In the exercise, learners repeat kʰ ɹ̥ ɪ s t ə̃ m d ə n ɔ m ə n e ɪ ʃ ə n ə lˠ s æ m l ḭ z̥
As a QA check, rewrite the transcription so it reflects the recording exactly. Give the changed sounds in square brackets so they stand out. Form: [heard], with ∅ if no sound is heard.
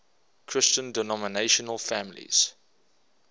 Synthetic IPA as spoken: kʰ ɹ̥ ɪ s [t͡ʃ] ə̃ [n] d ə n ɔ m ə n e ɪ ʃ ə n ə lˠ [f] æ m l ḭ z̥